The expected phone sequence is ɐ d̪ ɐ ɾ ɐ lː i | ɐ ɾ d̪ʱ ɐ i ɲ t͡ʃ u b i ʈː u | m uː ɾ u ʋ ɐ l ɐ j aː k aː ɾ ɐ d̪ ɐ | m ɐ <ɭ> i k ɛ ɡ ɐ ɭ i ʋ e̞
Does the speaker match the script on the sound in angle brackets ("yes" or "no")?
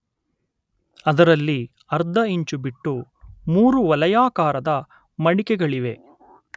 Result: no